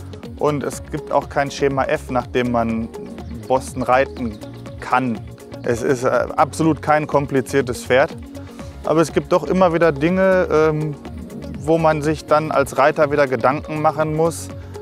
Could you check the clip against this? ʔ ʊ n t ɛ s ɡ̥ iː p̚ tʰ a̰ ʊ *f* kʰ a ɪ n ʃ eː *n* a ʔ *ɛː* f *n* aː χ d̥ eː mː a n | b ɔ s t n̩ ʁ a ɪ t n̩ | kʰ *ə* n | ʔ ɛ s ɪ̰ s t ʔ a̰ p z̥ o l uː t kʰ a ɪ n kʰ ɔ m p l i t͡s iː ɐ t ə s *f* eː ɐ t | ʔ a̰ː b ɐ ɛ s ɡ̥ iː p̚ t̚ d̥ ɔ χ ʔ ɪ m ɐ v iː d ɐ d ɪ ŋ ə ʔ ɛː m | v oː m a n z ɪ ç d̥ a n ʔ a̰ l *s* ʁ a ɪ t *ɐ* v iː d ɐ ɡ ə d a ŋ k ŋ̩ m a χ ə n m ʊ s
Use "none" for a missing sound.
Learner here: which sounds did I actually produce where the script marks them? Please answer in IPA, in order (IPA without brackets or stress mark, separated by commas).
x, m, ɛ, n, a, f, s, ɐ